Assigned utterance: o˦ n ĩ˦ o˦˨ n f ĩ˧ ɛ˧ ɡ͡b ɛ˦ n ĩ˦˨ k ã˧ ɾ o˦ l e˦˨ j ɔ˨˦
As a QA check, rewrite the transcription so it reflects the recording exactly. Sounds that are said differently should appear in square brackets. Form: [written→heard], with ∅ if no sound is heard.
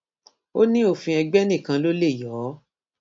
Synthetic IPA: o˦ n ĩ˦ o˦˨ [n→∅] f ĩ˧ ɛ˧ ɡ͡b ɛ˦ n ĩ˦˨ k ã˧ [ɾ→l] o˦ l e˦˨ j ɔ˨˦